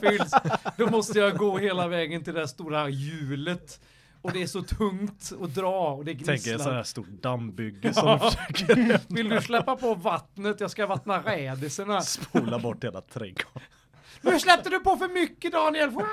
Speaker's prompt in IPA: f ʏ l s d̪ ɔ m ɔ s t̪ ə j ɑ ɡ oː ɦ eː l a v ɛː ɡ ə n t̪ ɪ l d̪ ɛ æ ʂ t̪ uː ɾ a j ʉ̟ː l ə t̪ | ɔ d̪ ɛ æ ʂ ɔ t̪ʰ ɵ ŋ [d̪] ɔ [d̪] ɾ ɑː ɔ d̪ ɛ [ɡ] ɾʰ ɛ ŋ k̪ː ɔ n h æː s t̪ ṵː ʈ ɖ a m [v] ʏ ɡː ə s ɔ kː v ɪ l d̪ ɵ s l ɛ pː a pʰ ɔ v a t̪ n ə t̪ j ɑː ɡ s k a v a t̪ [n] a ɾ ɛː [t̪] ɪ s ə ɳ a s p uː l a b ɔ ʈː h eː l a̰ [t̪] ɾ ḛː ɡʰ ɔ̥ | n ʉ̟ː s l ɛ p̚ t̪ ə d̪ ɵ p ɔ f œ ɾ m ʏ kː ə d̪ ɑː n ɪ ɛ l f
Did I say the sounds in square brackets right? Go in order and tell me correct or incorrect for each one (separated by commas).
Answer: incorrect, correct, correct, incorrect, correct, incorrect, incorrect